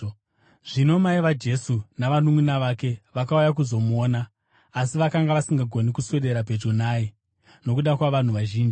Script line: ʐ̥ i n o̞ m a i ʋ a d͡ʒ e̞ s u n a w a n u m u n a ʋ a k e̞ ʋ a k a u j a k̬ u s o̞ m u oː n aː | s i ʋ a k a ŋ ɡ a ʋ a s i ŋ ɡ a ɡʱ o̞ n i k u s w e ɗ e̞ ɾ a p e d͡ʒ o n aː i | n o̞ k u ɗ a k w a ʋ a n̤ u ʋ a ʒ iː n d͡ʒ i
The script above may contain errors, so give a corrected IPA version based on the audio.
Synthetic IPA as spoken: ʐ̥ i n o̞ m a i ʋ a d͡ʒ e̞ s u n a ʋ a n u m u n a ʋ a k e̞ ʋ a k a u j a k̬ u z o̞ m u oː n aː | s i ʋ a k a ŋ ɡ a ʋ a s i ŋ ɡ a ɡʱ o̞ n i k u s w e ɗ e̞ ɾ a p e d͡ʒ o n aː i | n o̞ k u ɗ a k w a ʋ a n̤ u ʋ a ʒ iː n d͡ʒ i